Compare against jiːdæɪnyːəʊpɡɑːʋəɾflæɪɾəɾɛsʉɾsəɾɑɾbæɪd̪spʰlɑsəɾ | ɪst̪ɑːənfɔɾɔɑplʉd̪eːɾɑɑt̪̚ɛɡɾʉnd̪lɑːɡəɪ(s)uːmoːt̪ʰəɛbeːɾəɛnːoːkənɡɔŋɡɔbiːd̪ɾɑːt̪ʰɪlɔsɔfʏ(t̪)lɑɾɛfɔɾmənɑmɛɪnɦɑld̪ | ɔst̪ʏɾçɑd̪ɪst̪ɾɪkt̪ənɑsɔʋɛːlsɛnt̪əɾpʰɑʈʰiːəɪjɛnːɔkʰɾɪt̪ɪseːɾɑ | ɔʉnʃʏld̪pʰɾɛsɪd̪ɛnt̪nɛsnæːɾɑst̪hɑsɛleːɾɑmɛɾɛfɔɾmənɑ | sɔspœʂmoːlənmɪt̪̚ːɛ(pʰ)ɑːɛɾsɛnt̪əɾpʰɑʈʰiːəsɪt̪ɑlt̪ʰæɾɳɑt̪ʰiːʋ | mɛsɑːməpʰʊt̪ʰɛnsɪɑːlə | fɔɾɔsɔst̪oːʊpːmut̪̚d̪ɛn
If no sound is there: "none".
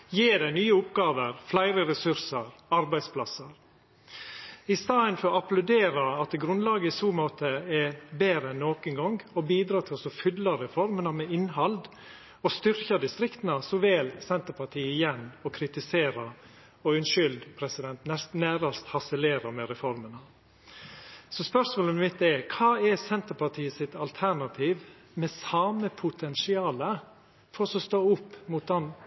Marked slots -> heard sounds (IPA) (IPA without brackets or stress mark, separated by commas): s, d̪, kʰ